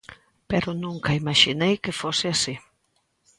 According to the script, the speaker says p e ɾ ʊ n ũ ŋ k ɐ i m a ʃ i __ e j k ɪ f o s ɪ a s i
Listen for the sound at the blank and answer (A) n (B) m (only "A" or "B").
A